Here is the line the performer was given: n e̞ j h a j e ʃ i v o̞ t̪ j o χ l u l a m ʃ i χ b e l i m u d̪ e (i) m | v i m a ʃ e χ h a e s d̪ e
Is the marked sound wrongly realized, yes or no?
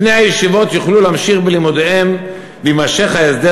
yes